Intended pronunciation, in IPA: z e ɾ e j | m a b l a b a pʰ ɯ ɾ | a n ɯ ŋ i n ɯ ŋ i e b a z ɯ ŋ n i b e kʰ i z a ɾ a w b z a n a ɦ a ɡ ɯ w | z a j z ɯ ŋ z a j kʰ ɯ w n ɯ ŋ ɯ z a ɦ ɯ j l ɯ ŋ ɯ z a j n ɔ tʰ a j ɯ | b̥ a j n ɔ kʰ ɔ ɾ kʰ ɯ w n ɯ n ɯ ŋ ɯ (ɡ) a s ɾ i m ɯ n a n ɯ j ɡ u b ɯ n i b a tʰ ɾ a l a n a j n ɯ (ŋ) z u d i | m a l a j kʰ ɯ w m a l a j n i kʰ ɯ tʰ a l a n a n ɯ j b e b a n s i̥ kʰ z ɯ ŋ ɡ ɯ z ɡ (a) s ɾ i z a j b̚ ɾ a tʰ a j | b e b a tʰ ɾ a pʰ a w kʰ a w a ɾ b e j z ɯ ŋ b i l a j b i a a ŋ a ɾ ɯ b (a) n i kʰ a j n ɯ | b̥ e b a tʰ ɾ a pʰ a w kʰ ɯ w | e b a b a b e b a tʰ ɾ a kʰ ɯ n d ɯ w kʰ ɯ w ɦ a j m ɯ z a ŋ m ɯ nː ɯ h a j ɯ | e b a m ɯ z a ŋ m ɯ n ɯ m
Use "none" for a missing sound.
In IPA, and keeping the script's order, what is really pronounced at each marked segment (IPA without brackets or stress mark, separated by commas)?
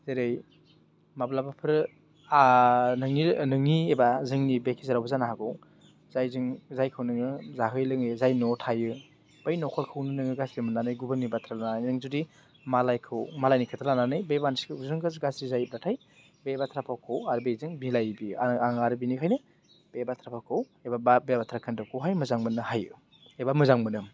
ɡ, ŋ, a, i